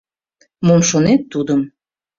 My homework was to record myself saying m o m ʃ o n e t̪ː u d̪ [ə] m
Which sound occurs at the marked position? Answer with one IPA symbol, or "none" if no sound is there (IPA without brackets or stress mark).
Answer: ə